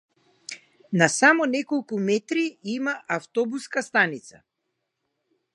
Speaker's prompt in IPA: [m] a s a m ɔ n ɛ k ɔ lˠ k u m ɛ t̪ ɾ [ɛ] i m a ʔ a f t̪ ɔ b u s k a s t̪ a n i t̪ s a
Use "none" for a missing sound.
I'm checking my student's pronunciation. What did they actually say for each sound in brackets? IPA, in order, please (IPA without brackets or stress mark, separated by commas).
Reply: n, i